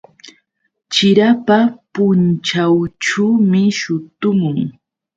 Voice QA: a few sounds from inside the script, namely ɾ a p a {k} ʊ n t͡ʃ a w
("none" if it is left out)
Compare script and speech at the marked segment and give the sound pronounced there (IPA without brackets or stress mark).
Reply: p